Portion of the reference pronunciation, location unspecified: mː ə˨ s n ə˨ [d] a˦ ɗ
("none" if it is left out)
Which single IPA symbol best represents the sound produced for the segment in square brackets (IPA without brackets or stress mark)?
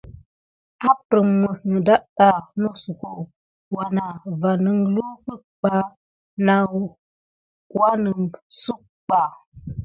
d